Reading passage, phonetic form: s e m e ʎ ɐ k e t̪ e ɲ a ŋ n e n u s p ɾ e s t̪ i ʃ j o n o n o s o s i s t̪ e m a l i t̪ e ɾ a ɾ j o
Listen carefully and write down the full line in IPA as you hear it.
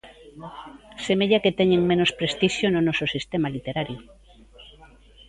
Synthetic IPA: s e m e ʎ a k e t̪ e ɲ e ŋ m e n o s p ɾ e s t̪ i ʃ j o n o n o s o s i s t̪ e m a l i t̪ e ɾ a ɾ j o